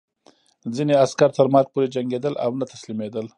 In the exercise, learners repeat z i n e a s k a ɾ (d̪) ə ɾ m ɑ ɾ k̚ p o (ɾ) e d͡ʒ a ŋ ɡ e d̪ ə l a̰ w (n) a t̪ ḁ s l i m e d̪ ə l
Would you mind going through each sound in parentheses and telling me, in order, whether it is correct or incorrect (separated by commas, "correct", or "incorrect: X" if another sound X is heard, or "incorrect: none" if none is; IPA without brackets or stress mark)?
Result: incorrect: t̪, correct, correct